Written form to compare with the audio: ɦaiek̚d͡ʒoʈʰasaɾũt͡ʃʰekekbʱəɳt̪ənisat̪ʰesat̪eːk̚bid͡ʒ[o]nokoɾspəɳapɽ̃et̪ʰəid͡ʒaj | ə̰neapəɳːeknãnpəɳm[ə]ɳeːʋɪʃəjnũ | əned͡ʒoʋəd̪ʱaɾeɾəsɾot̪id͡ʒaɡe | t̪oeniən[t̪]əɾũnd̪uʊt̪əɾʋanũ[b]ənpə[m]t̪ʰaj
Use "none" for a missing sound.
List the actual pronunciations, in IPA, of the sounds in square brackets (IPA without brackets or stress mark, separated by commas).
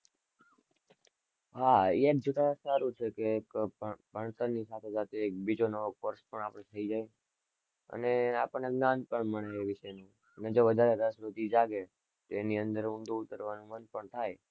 o, ə, d̪, m, ɳ